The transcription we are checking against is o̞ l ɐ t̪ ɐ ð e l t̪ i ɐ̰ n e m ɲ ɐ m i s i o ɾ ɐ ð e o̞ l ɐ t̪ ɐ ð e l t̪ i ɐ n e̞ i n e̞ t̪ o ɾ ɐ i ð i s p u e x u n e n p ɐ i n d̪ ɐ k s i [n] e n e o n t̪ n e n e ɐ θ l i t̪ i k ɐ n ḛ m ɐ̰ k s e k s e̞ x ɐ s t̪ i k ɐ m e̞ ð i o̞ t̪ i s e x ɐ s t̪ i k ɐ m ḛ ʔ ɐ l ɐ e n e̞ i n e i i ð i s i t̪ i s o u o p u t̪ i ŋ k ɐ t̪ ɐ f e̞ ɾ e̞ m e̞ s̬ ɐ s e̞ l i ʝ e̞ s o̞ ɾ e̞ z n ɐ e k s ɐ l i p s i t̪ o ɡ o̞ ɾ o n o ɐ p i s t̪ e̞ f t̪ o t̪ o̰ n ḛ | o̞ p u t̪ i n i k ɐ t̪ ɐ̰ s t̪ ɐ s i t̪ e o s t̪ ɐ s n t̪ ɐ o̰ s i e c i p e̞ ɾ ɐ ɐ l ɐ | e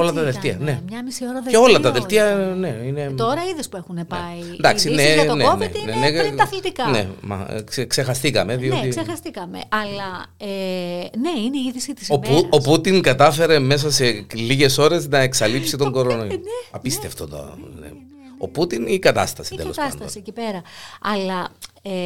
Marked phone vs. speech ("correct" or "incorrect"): correct